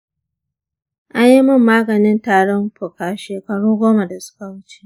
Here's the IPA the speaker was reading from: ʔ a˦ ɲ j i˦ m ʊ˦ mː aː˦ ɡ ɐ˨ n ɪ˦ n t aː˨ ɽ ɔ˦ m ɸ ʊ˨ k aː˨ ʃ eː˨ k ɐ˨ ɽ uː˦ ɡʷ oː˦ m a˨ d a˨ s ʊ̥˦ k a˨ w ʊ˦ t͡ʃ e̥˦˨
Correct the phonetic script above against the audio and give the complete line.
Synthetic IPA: ʔ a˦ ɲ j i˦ m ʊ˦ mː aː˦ ɡ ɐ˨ n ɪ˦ n t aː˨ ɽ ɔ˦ m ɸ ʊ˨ k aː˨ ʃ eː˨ k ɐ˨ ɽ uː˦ ɡʷ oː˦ m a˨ d a˨ s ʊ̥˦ k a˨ w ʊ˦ t͡ʃ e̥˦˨

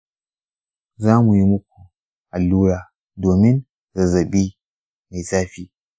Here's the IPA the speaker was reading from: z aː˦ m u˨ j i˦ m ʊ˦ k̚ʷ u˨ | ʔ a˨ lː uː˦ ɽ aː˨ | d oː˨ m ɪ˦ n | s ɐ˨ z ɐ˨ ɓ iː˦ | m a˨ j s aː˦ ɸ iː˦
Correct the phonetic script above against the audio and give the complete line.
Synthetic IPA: z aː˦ m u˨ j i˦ m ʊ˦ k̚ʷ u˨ | ʔ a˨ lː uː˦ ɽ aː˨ | d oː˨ m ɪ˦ n | z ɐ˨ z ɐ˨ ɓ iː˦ | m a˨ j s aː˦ ɸ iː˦

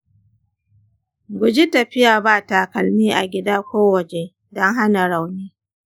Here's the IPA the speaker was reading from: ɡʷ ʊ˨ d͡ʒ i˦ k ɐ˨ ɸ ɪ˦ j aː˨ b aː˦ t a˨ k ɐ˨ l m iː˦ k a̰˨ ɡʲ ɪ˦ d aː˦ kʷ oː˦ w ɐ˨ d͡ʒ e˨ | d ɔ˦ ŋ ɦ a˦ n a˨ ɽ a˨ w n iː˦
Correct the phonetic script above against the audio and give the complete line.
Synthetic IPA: ɡʷ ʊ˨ d͡ʒ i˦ t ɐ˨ ɸ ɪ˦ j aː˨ b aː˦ t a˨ k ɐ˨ l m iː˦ ʔ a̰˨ ɡʲ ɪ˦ d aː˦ kʷ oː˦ w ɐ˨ d͡ʒ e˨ | d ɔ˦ ŋ ɦ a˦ n a˨ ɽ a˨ w n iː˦

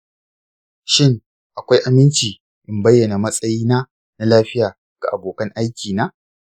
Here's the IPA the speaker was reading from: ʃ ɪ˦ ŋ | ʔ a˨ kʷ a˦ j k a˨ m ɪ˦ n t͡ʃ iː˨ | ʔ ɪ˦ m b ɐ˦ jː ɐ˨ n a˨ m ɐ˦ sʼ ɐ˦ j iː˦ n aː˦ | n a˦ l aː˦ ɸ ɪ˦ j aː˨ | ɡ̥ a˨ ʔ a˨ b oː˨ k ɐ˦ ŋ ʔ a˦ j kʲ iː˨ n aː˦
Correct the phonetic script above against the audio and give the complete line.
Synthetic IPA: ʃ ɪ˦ ŋ | ʔ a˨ kʷ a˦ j ʔ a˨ m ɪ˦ n t͡ʃ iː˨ | ʔ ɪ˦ m b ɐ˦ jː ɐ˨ n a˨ m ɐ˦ sʼ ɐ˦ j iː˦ n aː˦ | n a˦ l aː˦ ɸ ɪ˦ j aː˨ | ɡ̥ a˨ ʔ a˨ b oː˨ k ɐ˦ ŋ ʔ a˦ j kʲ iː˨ n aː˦

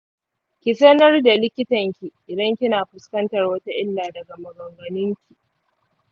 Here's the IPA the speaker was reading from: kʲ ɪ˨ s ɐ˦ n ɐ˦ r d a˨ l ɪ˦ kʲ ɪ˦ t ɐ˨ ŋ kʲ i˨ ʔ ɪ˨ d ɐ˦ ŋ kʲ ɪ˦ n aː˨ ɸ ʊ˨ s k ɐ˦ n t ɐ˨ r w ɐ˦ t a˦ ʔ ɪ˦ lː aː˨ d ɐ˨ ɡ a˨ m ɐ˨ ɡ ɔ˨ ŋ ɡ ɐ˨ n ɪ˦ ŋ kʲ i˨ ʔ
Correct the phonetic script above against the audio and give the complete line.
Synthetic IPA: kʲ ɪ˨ s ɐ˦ n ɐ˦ r d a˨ l ɪ˦ kʲ ɪ˦ t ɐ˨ ŋ kʲ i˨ ʔ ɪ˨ d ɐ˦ ŋ kʲ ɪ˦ n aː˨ ɸ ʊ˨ s k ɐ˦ n t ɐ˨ r w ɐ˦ t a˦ ʔ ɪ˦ lː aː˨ d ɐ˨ ɡ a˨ m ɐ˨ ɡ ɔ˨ ŋ ɡ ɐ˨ n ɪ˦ ŋ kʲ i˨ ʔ

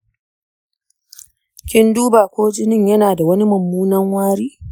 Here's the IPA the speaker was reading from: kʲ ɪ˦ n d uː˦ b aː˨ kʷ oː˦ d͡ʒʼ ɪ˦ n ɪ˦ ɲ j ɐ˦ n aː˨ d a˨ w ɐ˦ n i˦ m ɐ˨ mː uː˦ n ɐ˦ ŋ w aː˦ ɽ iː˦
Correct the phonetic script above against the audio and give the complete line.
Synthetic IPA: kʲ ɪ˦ n d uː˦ b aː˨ kʷ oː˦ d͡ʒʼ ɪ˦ n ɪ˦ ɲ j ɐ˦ n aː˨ d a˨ w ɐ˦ n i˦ m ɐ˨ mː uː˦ n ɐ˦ ŋ w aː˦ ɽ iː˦

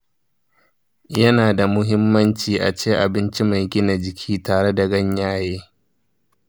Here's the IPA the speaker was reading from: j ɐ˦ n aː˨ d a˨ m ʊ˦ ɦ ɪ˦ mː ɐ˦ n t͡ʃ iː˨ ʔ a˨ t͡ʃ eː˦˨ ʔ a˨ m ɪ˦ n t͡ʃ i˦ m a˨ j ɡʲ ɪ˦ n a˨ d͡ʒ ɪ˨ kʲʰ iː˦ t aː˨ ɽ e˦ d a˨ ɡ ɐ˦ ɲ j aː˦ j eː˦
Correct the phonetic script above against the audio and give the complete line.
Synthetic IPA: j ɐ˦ n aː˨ d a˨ m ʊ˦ ɦ ɪ˦ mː ɐ˦ n t͡ʃ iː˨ ʔ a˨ t͡ʃ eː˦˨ ʔ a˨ b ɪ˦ n t͡ʃ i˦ m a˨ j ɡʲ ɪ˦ n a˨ d͡ʒ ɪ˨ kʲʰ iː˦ t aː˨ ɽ e˦ d a˨ ɡ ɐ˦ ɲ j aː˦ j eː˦

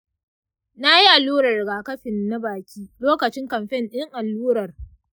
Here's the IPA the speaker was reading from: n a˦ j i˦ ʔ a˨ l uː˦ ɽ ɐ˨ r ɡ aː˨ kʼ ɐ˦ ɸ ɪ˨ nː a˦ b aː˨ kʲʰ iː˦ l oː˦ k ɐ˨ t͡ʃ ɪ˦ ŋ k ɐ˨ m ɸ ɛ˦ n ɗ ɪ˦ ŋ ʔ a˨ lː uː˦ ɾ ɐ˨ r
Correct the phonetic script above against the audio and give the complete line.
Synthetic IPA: n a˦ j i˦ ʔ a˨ l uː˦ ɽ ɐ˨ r ɡ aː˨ k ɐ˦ ɸ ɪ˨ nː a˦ b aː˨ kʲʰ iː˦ l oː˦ k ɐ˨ t͡ʃ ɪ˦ ŋ k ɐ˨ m ɸ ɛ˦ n ɗ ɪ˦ ŋ ʔ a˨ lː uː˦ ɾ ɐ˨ r

